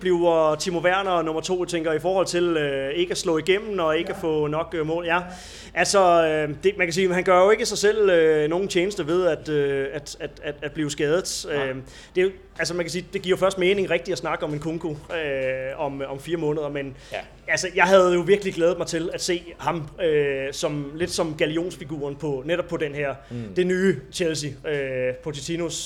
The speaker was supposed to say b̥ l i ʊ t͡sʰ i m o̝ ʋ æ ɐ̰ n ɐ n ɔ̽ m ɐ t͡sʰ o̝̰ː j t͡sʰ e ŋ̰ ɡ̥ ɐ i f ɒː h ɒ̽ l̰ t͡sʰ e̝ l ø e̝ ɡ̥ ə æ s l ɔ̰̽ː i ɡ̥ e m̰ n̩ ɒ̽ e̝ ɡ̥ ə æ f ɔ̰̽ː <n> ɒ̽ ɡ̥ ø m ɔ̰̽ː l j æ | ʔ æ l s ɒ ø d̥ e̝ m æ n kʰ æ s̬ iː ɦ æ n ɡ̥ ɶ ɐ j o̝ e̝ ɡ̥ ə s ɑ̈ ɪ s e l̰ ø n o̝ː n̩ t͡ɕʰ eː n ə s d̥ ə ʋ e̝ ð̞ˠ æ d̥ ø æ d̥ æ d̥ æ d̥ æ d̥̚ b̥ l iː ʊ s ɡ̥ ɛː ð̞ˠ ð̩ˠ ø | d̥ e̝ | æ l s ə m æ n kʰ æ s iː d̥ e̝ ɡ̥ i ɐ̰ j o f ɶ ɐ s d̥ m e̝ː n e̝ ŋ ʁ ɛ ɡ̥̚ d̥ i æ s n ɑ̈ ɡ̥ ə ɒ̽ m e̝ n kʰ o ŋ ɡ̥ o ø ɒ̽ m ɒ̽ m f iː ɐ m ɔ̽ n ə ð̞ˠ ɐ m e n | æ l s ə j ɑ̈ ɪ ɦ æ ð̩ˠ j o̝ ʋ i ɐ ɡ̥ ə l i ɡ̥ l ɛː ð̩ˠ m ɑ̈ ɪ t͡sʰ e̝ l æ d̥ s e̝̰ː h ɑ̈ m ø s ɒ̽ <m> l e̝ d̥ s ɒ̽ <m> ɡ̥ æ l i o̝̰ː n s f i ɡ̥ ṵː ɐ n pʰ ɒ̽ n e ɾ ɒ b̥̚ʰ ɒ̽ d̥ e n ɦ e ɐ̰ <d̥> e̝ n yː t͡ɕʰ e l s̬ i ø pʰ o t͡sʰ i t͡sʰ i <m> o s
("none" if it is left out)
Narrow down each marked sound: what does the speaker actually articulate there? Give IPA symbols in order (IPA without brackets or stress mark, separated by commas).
n, m, m, d̥, n